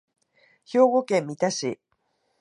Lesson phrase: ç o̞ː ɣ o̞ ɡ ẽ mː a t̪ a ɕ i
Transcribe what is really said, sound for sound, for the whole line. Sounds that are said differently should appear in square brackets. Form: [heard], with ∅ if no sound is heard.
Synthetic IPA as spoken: ç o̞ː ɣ o̞ [k] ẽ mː [i] t̪ a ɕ i

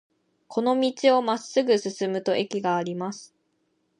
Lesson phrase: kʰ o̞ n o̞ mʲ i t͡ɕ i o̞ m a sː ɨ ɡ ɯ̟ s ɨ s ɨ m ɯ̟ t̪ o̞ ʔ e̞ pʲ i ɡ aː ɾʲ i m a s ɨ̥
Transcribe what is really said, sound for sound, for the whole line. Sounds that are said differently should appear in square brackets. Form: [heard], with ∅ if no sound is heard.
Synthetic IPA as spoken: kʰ o̞ n o̞ mʲ i t͡ɕ i o̞ m a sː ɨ ɡ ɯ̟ s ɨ s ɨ m ɯ̟ t̪ o̞ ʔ e̞ [kʲ] i ɡ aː ɾʲ i m a s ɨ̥

